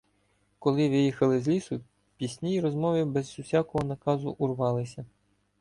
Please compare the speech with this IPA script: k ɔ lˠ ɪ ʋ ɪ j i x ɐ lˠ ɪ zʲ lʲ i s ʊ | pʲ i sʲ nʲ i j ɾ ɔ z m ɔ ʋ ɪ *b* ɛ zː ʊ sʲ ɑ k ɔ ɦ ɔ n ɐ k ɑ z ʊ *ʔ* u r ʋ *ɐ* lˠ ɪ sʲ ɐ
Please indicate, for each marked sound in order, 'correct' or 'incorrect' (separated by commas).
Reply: correct, correct, incorrect